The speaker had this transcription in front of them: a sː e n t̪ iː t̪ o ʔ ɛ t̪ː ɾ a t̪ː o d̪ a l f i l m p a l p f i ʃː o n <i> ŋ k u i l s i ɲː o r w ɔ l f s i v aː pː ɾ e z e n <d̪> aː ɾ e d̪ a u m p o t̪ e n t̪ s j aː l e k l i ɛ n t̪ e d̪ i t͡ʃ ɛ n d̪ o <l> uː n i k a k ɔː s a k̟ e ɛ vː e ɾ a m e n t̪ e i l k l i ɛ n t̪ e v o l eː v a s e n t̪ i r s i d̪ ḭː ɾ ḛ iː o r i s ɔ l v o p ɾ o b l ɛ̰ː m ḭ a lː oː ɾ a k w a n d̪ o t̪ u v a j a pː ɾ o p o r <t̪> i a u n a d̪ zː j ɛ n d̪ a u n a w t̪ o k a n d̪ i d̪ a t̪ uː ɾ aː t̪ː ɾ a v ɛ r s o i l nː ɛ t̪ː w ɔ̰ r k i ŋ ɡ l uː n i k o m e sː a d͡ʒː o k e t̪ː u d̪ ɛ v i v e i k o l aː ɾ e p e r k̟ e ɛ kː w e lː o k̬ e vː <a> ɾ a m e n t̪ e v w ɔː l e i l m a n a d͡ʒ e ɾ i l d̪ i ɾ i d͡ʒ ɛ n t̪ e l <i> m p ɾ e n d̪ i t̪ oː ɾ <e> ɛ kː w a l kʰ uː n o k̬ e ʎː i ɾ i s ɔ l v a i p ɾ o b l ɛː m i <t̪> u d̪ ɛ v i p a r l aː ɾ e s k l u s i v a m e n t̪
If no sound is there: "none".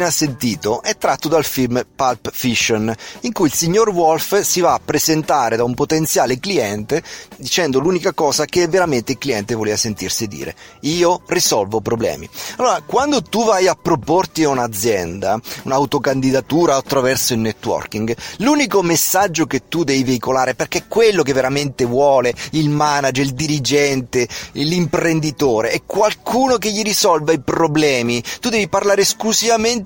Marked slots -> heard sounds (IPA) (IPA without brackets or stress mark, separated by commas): i, t̪, l, t̪, e, i, e, t̪